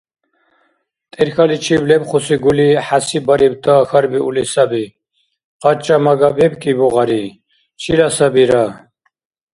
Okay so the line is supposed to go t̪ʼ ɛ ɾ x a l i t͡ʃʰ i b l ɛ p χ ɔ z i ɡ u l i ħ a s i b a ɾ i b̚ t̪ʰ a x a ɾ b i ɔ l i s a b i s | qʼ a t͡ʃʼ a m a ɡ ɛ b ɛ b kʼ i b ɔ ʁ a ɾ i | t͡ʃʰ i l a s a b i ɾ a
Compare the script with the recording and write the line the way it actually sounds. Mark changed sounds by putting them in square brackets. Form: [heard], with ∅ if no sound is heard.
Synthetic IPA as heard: t̪ʼ ɛ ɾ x a l i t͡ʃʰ i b l ɛ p χ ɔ [s] i ɡ u l i ħ a s i b a ɾ i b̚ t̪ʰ a x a ɾ b i [u] l i s a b i [∅] | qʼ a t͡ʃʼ a m a ɡ [a] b ɛ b kʼ i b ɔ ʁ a ɾ i | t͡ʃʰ i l a s a b i ɾ a